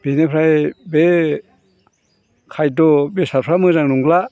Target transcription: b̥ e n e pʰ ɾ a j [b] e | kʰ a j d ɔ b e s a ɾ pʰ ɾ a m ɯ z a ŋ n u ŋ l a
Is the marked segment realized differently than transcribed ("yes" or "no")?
no